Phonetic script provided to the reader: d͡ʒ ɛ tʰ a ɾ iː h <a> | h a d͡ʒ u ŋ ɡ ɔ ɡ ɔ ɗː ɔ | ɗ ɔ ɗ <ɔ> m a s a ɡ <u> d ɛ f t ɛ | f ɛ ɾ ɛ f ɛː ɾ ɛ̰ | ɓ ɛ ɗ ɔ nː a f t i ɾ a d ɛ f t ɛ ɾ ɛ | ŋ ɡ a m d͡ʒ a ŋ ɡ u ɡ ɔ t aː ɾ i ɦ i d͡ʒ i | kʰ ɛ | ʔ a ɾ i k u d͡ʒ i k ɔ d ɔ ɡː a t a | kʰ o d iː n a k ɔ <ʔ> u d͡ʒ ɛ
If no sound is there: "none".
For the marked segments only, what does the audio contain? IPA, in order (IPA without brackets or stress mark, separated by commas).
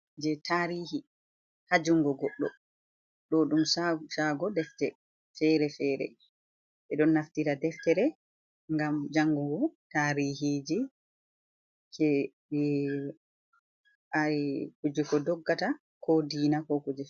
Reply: i, u, ɔ, k